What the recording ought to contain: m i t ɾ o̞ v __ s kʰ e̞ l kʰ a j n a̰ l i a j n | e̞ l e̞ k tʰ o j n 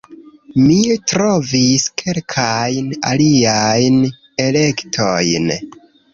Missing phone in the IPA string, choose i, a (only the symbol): i